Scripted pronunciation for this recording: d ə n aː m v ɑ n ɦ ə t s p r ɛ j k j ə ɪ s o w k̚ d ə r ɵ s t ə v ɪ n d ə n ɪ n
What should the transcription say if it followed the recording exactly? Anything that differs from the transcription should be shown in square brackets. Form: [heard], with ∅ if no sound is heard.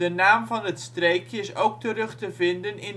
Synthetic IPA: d ə n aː m v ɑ n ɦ ə t s [t] r [e] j k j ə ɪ s o w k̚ [t] ə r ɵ [χ] t ə v ɪ n d ə n ɪ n